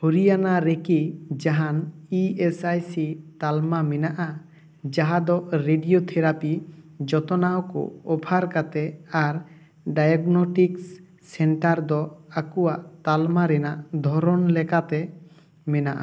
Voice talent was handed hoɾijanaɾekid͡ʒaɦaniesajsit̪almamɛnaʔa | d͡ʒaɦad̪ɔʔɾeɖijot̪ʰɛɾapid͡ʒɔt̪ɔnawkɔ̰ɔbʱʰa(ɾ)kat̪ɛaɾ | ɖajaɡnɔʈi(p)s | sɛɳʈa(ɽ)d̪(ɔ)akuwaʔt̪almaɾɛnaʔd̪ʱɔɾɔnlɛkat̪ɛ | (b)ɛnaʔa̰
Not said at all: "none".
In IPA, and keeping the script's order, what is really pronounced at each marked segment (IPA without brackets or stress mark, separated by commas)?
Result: ɾ, k, ɾ, ɔ, m